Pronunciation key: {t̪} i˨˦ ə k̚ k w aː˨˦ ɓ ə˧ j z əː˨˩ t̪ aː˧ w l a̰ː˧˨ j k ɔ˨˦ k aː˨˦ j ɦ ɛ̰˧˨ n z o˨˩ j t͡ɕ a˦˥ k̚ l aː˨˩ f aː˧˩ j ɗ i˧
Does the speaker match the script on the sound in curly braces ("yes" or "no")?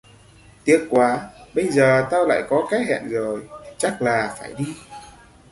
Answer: yes